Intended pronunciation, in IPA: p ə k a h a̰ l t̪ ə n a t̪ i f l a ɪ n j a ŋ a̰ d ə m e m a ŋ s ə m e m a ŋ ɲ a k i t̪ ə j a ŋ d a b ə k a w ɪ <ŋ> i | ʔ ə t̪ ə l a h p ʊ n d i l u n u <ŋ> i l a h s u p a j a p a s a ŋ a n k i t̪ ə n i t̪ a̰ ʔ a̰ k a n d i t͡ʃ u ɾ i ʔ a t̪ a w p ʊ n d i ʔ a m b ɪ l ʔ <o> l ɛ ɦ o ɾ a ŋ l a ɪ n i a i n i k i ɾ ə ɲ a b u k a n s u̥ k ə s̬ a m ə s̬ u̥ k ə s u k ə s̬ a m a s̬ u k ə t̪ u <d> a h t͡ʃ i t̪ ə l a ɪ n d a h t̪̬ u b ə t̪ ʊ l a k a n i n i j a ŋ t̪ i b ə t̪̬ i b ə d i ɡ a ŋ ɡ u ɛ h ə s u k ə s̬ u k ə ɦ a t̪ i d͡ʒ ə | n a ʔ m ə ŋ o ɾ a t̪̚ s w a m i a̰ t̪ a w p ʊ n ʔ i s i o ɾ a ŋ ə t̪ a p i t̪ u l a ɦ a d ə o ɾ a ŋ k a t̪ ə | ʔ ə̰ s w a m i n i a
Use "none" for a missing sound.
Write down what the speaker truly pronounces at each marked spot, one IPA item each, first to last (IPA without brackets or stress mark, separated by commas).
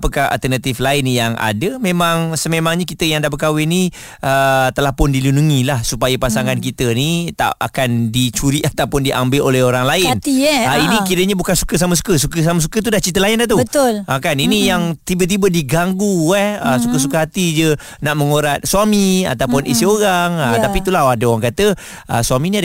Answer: n, ŋ, o, d